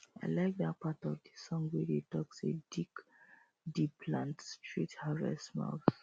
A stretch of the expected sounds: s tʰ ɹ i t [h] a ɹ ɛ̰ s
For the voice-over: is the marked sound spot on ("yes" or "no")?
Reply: yes